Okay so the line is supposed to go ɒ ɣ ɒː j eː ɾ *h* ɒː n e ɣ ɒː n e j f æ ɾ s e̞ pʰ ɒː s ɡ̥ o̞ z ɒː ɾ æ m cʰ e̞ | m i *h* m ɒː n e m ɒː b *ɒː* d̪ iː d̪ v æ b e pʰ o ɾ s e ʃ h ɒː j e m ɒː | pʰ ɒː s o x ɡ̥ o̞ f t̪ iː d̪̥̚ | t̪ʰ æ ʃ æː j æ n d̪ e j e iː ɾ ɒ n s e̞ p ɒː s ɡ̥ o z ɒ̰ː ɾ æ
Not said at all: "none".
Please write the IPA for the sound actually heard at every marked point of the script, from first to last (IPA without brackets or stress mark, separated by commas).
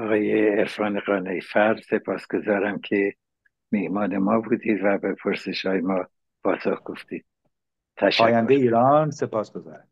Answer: f, h, uː